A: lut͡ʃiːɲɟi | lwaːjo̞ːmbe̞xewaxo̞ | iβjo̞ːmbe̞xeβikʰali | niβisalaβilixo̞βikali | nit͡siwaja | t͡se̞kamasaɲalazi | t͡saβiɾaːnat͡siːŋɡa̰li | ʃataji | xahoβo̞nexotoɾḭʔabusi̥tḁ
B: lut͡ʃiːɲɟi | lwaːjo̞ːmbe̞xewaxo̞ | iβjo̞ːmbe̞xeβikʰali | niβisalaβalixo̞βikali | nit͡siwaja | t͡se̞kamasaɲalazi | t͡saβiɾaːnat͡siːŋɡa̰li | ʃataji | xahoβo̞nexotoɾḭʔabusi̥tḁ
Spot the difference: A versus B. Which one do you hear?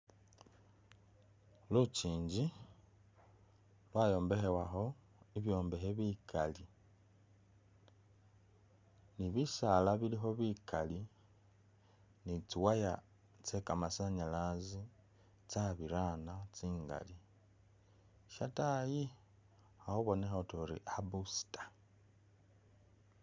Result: A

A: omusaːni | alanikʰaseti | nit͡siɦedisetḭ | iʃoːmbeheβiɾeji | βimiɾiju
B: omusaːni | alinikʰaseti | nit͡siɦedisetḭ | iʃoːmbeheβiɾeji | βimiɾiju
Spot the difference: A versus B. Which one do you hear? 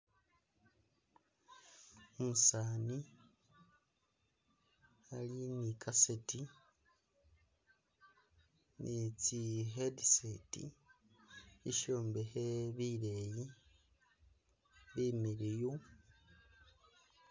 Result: B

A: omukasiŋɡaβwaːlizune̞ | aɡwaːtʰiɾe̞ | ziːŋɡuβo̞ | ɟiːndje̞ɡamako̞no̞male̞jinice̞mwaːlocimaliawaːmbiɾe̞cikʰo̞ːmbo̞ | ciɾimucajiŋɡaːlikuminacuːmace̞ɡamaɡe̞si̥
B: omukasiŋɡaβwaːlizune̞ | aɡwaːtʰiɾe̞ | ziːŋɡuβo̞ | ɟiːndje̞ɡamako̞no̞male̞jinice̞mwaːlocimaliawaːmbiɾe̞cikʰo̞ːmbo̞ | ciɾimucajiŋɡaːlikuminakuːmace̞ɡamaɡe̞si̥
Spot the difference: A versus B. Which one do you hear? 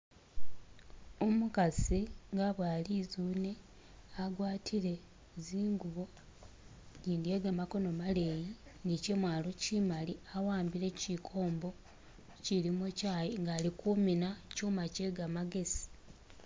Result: A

